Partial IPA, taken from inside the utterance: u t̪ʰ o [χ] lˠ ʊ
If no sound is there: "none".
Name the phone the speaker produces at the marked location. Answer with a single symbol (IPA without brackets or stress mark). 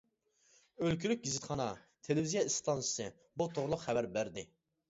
ʁ